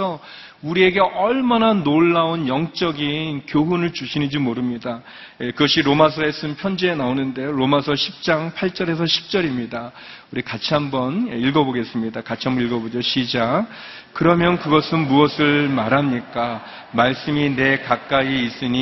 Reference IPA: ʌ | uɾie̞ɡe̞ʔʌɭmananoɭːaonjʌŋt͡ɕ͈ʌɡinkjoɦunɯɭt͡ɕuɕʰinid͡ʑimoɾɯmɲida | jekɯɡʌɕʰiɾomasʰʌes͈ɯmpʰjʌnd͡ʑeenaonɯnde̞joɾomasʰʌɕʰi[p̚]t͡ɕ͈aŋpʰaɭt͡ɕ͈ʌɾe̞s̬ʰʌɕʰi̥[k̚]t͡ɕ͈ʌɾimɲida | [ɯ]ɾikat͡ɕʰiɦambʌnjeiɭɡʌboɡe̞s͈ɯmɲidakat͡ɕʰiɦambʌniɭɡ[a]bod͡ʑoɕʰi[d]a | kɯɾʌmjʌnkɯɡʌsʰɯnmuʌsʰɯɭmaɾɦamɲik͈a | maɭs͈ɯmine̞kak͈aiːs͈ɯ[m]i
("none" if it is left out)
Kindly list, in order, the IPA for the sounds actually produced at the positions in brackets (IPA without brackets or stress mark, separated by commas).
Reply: p̚, p̚, u, ʌ, d͡ʑ, ɲ